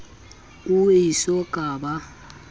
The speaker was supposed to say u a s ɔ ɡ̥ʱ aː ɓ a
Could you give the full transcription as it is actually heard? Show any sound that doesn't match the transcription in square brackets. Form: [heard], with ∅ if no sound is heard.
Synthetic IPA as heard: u [i] s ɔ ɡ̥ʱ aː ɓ a